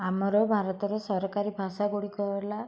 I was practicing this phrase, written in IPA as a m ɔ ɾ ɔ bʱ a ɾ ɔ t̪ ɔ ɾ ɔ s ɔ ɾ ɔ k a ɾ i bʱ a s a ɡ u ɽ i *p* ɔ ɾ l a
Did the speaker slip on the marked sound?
yes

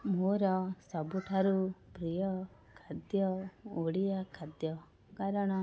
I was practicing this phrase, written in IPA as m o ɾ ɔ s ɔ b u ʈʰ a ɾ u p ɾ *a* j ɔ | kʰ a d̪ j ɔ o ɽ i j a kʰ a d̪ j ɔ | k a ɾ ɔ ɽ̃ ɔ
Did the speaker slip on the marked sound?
yes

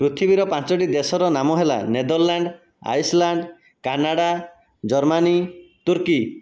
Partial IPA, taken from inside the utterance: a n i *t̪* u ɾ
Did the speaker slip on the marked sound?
no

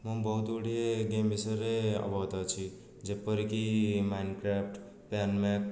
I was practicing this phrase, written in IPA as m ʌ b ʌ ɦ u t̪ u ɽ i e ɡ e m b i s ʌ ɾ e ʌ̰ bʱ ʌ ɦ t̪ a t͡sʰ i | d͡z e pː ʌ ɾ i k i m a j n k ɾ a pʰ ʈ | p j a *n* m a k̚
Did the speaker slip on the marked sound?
no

